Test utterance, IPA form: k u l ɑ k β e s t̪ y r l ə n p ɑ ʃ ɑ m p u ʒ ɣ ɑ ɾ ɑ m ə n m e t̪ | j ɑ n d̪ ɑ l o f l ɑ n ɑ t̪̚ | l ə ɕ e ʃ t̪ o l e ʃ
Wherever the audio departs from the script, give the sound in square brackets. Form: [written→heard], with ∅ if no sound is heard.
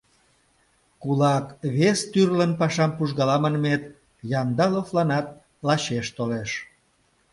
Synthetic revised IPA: k u l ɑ k β e s t̪ y r l ə n p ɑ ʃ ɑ m p u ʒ ɣ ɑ [ɾ→l] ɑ m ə n m e t̪ | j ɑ n d̪ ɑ l o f l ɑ n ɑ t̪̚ | l [ə→ɑ] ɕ e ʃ t̪ o l e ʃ